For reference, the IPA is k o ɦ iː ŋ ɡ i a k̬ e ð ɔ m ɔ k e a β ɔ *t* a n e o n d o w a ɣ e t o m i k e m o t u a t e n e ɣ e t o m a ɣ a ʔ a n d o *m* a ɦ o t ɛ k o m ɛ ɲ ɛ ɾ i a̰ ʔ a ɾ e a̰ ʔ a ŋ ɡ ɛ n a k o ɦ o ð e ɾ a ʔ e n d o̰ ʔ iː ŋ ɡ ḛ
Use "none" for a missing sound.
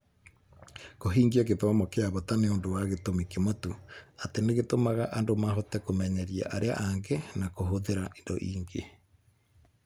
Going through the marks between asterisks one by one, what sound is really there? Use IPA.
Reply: t, m

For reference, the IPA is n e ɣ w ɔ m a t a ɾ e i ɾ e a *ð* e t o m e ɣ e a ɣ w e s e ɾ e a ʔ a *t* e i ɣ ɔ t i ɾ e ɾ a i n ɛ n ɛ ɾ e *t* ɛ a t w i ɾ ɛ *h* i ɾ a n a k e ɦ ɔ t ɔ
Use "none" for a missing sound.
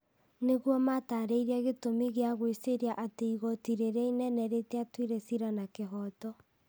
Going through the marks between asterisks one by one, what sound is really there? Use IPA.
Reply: ɣ, t, t, s

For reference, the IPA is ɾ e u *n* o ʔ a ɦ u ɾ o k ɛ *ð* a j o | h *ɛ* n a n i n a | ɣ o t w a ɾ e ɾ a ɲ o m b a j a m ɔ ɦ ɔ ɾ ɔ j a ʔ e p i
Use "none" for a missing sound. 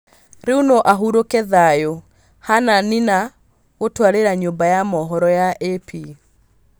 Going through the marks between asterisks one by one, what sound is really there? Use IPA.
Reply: n, ð, a

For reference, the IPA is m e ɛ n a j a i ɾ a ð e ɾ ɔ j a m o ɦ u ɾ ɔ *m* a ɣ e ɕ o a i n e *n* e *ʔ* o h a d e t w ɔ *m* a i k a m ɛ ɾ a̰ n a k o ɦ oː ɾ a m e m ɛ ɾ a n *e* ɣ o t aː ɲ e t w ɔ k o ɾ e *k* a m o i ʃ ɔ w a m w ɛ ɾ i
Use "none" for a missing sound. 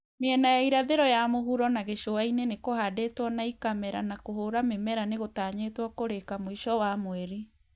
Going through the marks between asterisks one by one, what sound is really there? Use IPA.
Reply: n, n, k, n, e, k

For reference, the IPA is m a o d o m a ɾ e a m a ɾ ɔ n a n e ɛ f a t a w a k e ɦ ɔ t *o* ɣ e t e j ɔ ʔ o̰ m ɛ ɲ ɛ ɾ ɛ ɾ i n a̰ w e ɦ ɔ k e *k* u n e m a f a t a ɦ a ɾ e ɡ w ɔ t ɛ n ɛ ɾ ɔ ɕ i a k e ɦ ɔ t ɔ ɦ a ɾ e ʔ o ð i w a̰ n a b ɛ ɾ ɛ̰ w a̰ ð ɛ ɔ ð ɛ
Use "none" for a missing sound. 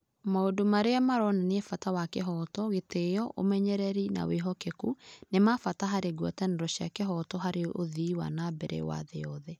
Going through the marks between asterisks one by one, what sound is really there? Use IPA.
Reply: ɔ, k

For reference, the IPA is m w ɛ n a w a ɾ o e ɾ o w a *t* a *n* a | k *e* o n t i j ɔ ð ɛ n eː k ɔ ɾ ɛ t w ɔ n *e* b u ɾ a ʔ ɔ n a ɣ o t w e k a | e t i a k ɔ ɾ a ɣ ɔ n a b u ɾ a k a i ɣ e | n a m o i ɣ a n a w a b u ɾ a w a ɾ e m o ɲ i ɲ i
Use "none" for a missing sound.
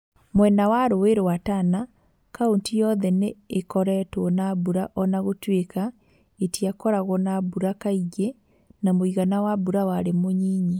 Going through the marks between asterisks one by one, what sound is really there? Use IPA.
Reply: t, n, a, a

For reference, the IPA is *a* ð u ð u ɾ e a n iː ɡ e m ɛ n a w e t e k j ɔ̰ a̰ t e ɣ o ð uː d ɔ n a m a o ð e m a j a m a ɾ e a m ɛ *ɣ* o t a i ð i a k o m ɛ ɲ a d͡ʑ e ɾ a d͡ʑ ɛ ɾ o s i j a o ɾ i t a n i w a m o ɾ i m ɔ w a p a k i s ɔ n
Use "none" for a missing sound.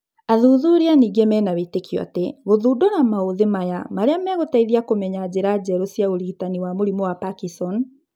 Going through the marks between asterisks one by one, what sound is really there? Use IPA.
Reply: a, ɣ

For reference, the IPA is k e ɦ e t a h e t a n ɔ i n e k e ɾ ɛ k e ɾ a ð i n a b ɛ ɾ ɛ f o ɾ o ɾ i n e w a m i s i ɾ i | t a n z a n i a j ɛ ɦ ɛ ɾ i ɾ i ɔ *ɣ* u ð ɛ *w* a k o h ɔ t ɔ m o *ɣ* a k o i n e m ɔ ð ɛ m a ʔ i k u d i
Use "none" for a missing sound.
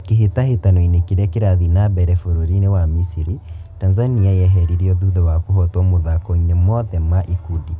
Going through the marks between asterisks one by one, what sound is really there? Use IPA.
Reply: ð, w, ð

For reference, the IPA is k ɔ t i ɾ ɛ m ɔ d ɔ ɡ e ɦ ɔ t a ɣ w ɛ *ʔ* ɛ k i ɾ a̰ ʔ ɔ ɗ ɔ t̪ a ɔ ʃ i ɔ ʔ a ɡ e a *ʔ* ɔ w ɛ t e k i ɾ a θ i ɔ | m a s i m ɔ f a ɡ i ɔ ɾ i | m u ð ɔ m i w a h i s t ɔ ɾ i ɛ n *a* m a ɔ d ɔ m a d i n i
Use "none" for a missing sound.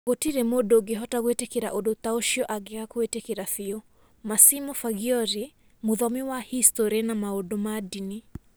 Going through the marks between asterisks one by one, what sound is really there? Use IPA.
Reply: t, k, a

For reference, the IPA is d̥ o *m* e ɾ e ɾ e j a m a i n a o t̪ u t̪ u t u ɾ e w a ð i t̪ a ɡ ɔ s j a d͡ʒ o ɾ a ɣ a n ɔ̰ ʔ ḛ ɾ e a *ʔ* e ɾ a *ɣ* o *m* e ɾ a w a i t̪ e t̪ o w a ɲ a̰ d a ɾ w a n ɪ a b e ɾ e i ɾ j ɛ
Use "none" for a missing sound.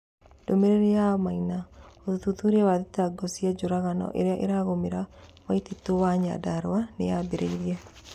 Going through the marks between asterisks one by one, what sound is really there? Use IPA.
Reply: m, ʔ, ɣ, m

